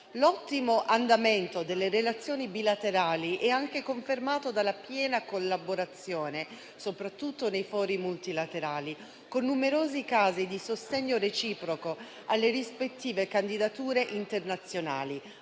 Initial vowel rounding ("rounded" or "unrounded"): rounded